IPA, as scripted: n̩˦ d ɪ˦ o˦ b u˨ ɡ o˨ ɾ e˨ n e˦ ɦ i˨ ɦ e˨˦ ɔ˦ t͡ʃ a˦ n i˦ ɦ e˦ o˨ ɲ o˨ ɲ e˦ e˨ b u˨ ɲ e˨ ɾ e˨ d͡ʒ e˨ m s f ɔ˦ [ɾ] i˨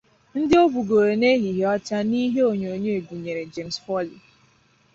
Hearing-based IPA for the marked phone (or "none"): l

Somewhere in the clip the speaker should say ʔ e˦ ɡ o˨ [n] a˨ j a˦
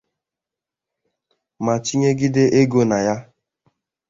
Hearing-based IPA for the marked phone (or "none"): n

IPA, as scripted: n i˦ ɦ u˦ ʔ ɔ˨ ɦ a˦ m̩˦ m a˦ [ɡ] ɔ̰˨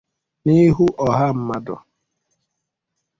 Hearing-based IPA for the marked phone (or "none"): d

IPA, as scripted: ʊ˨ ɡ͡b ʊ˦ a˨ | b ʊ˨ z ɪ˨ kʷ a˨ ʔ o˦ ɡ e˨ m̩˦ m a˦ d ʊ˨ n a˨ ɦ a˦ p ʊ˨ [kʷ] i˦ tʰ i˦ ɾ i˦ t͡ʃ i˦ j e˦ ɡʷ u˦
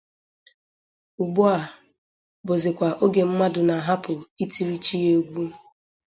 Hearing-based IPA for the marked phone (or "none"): none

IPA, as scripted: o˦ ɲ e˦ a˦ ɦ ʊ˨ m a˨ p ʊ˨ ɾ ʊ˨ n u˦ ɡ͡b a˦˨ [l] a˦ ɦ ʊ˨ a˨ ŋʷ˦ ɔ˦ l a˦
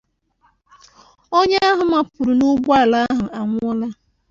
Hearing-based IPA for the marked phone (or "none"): l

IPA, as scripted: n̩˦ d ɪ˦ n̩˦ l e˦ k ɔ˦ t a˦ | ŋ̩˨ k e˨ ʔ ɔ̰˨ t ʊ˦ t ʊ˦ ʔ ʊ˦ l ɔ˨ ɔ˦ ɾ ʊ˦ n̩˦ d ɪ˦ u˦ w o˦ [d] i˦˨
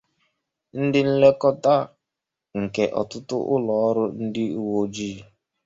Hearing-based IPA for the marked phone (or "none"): d͡ʒ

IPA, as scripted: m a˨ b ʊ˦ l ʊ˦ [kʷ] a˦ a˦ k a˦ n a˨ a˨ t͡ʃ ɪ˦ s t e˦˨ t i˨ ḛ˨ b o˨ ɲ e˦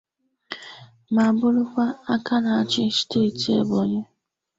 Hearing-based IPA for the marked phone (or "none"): kʷ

